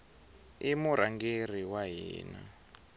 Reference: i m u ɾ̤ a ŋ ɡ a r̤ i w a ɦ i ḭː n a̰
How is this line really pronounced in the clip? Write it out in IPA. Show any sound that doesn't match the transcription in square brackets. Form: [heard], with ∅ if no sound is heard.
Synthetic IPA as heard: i m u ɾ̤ a ŋ ɡ [e] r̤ i w a ɦ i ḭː n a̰